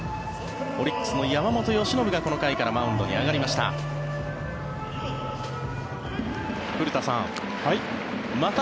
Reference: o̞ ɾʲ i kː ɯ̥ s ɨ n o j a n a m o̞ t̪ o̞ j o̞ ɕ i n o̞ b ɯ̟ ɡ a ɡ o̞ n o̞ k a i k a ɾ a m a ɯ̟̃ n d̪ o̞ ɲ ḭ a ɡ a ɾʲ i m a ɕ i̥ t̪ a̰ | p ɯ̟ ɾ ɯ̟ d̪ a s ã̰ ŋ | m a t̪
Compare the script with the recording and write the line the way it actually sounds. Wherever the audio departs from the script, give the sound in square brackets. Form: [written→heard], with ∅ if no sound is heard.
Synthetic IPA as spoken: o̞ ɾʲ i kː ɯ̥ s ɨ n o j a [n→m] a m o̞ t̪ o̞ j o̞ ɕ i n o̞ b ɯ̟ ɡ a [ɡ→k] o̞ n o̞ k a i k a ɾ a m a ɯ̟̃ n d̪ o̞ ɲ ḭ a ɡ a ɾʲ i m a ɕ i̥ t̪ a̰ | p ɯ̟ ɾ ɯ̟ [d̪→t̪] a s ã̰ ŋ | m a t̪